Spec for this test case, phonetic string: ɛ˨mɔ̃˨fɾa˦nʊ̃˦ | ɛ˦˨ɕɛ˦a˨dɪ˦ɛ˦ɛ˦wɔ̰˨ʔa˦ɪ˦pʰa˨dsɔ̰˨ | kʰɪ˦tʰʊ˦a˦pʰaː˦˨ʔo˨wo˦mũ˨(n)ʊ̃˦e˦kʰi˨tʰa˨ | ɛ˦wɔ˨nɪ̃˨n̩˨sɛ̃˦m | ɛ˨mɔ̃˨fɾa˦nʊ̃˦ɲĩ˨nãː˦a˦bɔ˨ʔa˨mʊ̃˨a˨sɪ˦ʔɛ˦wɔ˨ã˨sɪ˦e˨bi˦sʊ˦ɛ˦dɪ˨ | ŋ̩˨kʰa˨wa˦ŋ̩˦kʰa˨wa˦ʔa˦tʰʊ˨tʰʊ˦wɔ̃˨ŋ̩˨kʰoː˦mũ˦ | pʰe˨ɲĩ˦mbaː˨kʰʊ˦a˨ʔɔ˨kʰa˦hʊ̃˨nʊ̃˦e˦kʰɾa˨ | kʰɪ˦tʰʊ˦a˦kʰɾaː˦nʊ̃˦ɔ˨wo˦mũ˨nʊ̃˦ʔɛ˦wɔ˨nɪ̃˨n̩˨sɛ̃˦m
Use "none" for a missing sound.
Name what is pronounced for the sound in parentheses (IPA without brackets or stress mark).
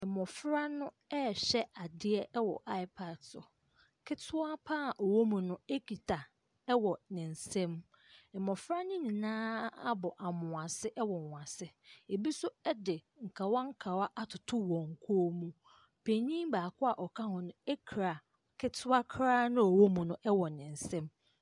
n